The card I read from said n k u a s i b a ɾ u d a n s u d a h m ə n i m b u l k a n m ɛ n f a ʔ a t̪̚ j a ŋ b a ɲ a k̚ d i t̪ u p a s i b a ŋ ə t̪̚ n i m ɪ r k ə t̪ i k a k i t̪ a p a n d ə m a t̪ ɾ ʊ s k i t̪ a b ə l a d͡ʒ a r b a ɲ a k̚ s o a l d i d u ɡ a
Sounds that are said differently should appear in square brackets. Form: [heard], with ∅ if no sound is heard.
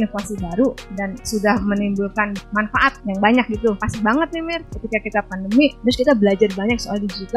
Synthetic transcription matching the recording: n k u a s i b a ɾ u d a n s u d a h m ə n i m b u l k a n m [a] n f a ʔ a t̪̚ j a ŋ b a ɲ a k̚ [ɡ] i t̪ u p a s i b a ŋ ə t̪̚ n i m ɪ r k ə t̪ i k a k i t̪ a p a n d ə m [i] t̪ ɾ ʊ s k i t̪ a b ə l a d͡ʒ a r b a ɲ a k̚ s o a l d i [d͡ʒ] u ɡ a